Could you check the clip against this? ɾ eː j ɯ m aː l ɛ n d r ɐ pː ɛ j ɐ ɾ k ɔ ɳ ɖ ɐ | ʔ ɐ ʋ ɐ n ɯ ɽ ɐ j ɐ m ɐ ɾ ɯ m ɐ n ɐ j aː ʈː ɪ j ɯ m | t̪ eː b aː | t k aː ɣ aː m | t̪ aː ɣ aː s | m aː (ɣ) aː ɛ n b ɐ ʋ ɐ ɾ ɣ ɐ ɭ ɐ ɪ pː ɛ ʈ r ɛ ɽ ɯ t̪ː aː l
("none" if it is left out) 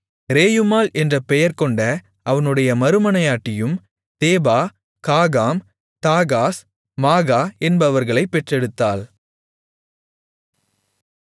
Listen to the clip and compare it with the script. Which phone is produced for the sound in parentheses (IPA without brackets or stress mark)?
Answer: ɣ